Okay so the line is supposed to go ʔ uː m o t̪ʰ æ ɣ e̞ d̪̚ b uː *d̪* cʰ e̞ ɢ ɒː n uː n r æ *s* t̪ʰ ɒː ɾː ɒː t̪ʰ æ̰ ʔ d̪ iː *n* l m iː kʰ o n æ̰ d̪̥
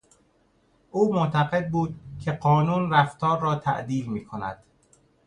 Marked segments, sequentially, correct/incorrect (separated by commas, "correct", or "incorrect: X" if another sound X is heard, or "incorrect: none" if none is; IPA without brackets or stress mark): correct, incorrect: f, incorrect: none